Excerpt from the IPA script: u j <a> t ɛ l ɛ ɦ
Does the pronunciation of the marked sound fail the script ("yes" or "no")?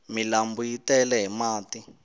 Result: yes